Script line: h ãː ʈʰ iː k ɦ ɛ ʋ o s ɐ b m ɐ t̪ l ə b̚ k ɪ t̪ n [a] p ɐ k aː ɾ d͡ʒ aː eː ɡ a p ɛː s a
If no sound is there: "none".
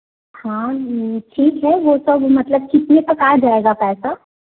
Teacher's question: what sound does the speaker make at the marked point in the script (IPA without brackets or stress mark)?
e